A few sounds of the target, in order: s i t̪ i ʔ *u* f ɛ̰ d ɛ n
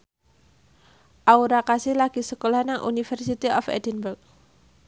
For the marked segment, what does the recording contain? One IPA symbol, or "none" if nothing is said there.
ɔ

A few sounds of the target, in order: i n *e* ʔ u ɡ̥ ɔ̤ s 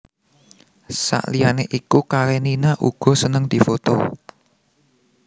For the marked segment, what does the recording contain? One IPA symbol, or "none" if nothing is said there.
a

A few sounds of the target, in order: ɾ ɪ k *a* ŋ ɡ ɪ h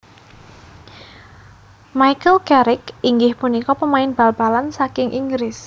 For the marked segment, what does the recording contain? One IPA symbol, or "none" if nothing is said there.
i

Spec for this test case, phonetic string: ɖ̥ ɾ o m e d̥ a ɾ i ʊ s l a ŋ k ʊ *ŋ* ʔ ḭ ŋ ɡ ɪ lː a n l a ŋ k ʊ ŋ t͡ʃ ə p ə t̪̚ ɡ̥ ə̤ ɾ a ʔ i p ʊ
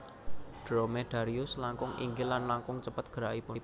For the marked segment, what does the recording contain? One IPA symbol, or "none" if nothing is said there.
ŋ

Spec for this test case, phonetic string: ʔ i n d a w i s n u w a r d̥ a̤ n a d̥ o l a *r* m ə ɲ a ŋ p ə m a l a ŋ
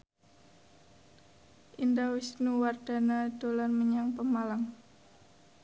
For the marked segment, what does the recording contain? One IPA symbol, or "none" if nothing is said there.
r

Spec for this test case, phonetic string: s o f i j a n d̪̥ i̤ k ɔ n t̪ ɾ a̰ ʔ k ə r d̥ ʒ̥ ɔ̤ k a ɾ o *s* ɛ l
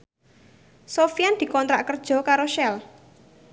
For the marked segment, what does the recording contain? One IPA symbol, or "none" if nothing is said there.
ʃ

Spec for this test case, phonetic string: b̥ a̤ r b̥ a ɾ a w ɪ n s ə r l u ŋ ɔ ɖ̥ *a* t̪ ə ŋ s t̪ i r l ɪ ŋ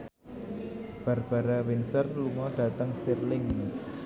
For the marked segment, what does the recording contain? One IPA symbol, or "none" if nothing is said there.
a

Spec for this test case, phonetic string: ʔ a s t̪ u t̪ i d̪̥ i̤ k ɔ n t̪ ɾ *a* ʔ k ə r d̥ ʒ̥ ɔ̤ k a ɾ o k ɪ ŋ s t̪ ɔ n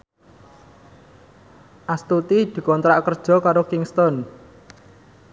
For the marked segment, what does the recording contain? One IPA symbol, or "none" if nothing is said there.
a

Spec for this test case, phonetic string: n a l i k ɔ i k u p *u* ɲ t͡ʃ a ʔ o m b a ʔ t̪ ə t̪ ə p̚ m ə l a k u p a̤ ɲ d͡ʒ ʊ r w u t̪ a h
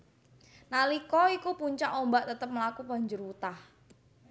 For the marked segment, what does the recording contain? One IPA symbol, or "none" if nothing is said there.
u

